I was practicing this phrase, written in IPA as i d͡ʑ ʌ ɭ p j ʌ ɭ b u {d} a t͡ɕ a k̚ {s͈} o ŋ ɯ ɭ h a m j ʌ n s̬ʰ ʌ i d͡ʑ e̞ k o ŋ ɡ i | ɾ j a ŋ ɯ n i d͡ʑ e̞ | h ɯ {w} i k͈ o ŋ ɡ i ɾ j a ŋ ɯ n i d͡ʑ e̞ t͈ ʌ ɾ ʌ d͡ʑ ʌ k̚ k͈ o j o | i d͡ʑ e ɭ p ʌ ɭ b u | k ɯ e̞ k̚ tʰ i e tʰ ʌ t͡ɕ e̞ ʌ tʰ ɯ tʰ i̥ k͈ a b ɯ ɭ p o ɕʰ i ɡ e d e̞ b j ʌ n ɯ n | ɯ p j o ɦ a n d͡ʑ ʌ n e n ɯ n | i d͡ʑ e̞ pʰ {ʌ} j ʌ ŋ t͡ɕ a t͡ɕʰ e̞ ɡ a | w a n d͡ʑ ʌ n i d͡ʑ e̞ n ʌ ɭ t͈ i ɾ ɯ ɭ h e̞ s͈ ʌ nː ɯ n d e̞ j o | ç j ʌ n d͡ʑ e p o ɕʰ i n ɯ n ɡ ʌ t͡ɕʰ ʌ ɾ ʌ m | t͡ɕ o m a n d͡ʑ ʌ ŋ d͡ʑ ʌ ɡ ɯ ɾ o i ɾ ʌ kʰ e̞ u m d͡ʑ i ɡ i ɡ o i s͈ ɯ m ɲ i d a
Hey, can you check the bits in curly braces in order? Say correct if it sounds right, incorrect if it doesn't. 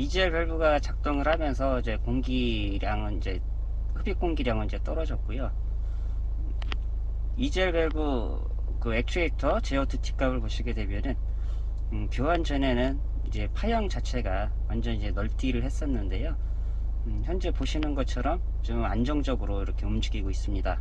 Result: incorrect: ɡ, incorrect: t͈, incorrect: b, incorrect: a

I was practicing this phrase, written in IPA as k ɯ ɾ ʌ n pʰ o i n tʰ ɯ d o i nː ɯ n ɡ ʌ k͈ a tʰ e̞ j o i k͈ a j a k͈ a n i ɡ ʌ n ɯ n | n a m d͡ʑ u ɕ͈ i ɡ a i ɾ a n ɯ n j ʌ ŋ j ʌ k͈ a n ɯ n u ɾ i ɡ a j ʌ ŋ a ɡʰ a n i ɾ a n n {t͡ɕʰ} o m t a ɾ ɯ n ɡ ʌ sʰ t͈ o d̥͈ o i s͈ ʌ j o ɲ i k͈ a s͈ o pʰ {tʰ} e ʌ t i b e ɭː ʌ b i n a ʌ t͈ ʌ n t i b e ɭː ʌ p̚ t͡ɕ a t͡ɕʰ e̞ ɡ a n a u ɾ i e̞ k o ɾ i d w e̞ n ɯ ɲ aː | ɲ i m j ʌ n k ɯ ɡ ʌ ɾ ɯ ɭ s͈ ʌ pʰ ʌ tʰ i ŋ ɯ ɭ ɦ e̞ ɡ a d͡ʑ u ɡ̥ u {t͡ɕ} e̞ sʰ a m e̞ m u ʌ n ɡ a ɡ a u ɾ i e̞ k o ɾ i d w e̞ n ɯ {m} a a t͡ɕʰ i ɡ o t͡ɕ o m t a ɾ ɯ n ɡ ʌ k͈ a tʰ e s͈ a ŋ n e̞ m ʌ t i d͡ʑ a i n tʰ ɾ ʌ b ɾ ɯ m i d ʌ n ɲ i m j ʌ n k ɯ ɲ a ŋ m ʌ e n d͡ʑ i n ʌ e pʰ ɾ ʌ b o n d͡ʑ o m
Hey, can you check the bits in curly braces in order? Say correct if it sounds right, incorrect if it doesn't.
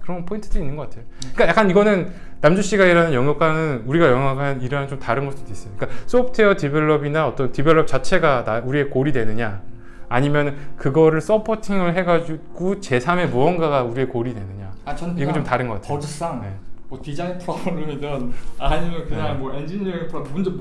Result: incorrect: t͡ɕ, correct, correct, incorrect: ɲ

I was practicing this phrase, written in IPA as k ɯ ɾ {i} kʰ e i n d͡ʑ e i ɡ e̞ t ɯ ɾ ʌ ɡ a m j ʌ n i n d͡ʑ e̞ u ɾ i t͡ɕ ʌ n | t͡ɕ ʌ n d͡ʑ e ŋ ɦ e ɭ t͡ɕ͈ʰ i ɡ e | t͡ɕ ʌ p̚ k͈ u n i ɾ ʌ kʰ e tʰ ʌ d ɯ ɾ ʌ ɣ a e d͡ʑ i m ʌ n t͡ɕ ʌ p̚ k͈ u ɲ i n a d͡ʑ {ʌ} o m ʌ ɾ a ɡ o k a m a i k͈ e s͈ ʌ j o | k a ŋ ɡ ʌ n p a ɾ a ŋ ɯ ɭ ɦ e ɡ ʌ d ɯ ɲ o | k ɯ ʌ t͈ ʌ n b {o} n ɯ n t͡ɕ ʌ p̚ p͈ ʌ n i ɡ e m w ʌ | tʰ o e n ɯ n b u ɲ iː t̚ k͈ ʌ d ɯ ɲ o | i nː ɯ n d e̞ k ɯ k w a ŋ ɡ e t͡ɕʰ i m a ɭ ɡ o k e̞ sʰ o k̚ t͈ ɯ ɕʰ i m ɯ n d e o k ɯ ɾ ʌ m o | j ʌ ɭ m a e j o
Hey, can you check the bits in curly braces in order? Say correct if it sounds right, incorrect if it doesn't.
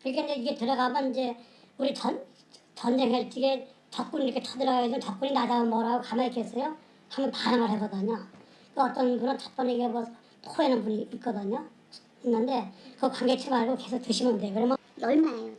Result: correct, incorrect: a, incorrect: u

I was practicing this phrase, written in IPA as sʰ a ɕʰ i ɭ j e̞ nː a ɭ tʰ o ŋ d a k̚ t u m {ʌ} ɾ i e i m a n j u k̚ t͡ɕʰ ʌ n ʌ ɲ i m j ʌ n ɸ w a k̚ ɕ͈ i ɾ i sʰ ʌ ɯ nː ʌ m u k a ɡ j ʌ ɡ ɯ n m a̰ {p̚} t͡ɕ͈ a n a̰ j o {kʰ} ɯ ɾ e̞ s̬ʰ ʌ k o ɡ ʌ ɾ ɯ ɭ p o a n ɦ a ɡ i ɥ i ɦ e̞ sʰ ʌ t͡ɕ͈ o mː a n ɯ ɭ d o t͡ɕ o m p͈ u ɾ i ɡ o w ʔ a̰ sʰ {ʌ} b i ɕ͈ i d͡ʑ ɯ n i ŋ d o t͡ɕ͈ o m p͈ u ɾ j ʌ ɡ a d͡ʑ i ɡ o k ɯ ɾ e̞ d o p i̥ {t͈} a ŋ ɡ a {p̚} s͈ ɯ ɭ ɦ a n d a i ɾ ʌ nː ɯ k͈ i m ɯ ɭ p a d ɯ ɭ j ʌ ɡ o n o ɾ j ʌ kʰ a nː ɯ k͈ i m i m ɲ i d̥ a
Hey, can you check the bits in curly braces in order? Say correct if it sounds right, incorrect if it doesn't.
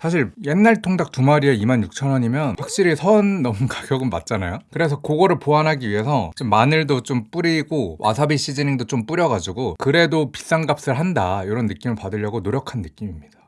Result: incorrect: a, incorrect: t̚, incorrect: k, incorrect: a, incorrect: s͈, correct

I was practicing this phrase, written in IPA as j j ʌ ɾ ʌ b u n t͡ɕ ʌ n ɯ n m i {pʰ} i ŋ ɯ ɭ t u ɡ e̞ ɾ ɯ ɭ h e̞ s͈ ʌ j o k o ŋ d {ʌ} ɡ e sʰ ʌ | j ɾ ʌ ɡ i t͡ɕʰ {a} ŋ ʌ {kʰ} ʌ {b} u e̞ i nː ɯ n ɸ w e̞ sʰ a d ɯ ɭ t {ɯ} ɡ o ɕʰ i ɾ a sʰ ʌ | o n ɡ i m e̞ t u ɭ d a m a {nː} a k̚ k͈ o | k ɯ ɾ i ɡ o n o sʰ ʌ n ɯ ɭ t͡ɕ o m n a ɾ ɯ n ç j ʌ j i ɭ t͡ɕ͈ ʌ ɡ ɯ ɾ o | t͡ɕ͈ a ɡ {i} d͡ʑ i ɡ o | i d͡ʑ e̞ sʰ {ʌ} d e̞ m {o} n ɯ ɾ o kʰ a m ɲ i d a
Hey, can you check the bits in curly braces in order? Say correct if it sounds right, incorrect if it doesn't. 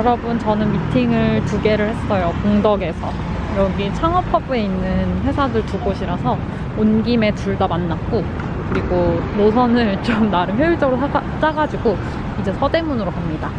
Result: incorrect: tʰ, correct, correct, incorrect: pʰ, correct, incorrect: u, correct, incorrect: a, correct, incorrect: u

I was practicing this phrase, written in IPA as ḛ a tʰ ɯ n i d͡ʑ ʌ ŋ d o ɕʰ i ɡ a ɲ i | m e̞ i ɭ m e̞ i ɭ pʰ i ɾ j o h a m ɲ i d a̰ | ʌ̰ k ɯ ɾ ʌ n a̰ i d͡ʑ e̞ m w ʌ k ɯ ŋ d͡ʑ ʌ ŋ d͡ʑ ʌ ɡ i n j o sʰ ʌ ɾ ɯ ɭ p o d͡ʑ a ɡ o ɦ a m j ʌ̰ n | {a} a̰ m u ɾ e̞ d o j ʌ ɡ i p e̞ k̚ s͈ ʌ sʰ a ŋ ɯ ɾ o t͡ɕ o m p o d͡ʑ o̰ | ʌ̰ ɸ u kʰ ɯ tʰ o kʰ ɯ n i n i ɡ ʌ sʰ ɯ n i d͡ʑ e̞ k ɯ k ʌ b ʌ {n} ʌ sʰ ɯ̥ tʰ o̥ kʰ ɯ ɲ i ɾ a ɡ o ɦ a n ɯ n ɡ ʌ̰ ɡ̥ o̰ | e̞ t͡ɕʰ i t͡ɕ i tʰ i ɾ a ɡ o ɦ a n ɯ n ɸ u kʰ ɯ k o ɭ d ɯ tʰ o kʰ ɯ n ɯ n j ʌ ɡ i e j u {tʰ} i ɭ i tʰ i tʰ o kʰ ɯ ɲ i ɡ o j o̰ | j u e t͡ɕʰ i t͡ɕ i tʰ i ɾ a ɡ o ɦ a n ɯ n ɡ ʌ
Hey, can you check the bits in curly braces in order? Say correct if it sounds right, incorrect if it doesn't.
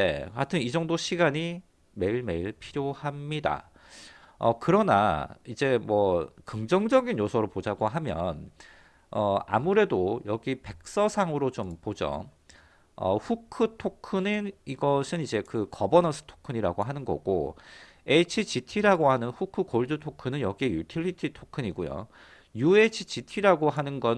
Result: incorrect: ʌ, correct, correct

